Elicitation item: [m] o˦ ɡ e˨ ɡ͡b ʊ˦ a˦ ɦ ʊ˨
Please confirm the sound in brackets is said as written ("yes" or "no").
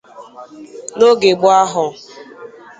no